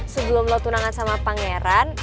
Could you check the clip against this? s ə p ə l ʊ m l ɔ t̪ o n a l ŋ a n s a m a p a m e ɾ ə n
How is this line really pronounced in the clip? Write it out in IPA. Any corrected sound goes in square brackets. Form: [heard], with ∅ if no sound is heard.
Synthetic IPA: s ə [b] ə l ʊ m l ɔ t̪ [u] n a [∅] ŋ a n s a m a p a [ŋ] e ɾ [a] n